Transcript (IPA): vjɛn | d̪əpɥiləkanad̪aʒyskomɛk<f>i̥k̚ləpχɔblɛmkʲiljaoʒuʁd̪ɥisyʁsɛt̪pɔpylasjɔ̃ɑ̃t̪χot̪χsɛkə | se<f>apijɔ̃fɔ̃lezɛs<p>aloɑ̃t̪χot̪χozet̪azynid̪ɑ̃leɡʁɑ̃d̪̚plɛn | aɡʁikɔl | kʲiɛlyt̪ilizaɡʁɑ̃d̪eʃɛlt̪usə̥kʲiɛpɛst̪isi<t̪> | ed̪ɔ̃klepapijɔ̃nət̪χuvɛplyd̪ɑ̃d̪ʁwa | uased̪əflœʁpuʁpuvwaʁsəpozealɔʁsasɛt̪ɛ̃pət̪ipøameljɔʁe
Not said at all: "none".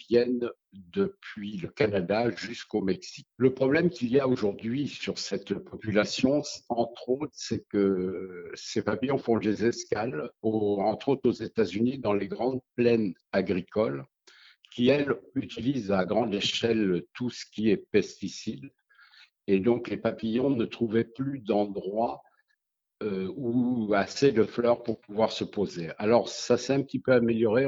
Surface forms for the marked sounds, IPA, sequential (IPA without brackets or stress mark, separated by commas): s, f, k, d̪